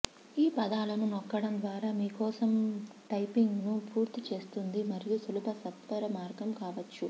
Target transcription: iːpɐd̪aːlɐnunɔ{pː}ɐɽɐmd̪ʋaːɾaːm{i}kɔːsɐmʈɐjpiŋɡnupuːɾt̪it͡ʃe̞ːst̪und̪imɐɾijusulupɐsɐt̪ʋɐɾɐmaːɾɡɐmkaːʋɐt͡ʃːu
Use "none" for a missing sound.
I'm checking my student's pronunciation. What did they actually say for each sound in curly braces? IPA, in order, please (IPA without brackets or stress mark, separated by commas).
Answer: kː, iː